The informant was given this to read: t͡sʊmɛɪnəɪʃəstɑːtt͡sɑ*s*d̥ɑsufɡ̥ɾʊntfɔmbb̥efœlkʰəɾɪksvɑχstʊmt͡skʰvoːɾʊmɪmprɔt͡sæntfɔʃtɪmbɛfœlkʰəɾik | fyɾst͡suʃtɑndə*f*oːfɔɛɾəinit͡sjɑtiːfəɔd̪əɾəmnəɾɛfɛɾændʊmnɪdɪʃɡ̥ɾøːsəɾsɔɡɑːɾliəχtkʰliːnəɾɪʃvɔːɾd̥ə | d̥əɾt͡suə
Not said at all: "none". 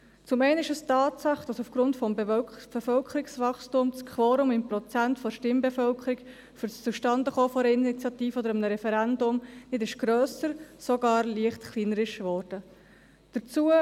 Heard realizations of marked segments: χ, χ

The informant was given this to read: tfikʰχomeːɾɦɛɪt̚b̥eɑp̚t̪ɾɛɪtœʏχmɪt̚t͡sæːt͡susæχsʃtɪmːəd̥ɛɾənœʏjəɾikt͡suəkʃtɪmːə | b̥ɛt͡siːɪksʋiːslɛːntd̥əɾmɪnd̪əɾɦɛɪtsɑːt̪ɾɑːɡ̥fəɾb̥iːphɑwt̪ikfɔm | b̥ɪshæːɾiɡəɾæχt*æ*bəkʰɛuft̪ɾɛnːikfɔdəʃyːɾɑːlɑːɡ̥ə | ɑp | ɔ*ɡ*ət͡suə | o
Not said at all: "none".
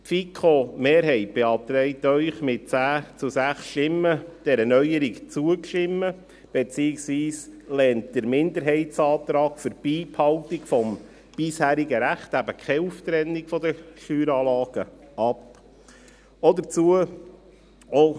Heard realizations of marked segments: æ, d

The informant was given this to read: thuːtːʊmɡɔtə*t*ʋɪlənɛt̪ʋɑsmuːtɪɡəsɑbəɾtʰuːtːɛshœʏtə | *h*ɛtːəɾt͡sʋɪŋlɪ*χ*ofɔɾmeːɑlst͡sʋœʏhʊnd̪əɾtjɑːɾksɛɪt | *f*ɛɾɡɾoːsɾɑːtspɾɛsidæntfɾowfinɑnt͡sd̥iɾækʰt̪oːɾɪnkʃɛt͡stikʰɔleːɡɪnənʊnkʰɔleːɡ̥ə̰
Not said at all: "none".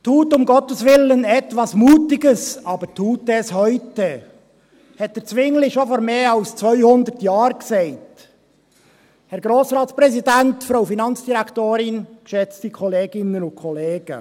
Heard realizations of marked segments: s, h, ʃ, h

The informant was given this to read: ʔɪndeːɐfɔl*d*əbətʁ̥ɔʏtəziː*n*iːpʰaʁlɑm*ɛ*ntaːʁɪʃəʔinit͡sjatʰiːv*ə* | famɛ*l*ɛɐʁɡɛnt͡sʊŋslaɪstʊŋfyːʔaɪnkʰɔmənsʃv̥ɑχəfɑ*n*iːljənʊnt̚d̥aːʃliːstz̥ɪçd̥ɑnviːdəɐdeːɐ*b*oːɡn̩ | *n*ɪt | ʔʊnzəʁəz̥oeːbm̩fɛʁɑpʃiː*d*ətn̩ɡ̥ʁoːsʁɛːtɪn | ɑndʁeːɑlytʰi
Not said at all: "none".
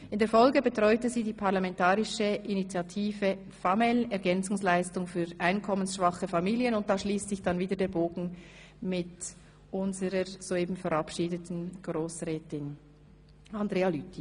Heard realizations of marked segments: ɡ, d, ɛ, ə, l, m, b, m, d

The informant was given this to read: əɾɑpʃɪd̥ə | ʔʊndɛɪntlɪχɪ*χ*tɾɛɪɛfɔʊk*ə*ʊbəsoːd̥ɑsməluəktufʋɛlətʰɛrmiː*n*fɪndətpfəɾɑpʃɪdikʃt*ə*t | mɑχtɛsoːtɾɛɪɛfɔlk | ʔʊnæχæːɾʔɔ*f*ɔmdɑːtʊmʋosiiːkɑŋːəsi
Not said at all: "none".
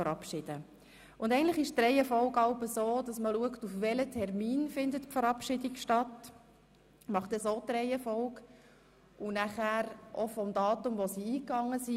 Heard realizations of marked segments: ʃ, ɑ, n, ɑ, f

